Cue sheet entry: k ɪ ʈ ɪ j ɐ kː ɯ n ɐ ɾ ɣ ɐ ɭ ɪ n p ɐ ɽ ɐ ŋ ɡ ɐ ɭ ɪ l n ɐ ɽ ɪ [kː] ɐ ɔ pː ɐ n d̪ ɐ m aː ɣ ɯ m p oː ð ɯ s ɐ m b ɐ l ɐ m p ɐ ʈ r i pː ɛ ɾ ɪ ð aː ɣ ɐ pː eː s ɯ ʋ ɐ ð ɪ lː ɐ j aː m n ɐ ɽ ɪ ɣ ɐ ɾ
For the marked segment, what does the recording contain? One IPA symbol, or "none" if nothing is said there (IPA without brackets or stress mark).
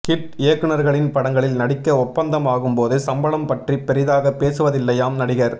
kː